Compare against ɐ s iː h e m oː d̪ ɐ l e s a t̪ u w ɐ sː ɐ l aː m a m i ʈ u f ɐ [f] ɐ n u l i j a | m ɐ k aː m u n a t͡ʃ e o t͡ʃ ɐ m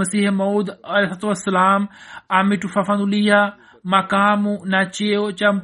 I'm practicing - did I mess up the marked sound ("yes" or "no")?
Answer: no